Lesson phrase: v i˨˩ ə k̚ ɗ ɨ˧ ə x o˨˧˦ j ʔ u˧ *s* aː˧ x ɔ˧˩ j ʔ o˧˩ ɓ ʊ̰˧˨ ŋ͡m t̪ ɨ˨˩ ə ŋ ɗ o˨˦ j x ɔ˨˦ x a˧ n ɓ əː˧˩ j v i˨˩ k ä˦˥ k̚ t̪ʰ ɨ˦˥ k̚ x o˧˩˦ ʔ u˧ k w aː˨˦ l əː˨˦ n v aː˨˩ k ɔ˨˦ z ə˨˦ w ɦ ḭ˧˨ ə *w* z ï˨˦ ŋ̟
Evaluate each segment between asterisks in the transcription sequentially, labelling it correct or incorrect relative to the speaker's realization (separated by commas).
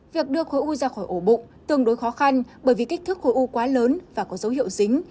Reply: incorrect, correct